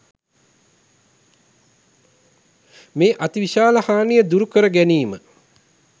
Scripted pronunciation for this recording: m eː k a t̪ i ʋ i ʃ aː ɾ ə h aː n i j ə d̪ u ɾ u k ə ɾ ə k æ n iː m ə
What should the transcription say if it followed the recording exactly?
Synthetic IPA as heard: m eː ʔ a t̪ i ʋ i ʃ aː l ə h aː n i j ə d̪ u ɾ u k ə ɾ ə ɡ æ n iː m ə